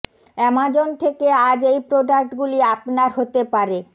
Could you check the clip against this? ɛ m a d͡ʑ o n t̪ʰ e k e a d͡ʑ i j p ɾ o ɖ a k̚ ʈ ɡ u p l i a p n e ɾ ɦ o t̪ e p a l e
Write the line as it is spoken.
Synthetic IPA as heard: ɛ m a d͡ʑ o n t̪ʰ e k e a d͡ʑ e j p ɾ o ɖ a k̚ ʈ ɡ u l i a p n a ɾ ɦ o t̪ e p a ɾ e